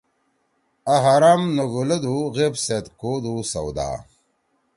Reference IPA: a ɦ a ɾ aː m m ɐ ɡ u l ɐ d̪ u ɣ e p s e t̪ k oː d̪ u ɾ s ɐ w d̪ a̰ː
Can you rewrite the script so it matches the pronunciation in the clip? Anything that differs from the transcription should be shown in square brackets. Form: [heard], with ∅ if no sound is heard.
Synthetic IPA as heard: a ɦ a ɾ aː m [n] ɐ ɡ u l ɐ d̪ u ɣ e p s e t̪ k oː d̪ u [∅] s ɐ w d̪ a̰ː